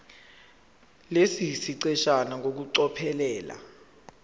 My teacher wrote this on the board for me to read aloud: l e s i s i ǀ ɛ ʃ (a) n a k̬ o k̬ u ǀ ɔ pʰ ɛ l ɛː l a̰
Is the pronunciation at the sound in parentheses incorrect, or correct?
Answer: correct